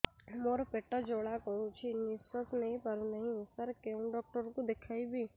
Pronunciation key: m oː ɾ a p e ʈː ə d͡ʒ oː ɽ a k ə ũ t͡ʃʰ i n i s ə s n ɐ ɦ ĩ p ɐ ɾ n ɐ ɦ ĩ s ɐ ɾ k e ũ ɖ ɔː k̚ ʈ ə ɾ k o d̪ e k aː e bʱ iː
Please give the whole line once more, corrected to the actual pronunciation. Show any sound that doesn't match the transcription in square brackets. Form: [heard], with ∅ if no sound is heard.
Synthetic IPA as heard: m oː ɾ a p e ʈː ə d͡ʒ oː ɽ a k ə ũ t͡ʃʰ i n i s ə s n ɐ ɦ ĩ p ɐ ɾ n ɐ ɦ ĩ s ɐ ɾ k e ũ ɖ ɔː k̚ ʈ ə ɾ k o d̪ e [kʰ] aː [i] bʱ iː

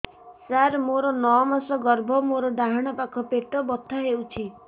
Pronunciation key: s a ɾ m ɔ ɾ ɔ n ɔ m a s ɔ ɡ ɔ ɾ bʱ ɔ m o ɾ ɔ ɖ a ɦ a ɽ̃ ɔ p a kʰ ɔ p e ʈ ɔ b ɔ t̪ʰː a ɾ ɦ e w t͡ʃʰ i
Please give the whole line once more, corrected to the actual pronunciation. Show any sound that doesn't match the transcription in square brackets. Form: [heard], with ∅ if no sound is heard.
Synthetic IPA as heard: s a ɾ m [o] ɾ ɔ n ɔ m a s ɔ ɡ ɔ ɾ bʱ ɔ m o ɾ ɔ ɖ a ɦ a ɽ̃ ɔ p a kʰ ɔ p e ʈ ɔ b ɔ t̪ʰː a [∅] ɦ e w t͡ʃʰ i

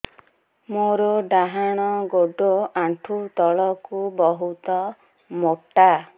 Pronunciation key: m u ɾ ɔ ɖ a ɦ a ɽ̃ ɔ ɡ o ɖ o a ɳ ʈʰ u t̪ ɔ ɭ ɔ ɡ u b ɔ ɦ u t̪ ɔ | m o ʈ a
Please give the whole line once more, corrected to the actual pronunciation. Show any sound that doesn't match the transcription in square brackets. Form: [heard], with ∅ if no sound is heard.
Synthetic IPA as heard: m [o] ɾ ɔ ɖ a ɦ a ɽ̃ ɔ ɡ o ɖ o a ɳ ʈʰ u t̪ ɔ ɭ ɔ [k] u b ɔ ɦ u t̪ ɔ | m o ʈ a

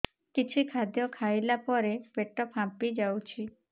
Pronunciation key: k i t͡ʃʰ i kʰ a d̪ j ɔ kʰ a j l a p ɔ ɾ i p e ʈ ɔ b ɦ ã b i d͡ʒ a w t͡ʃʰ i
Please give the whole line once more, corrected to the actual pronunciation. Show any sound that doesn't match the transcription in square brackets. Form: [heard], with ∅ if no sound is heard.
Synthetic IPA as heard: k i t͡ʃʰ i kʰ a d̪ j ɔ kʰ a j l a p ɔ ɾ [e] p e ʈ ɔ [p] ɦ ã [p] i d͡ʒ a w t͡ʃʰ i

